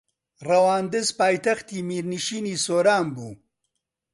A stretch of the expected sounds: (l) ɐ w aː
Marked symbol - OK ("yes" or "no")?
no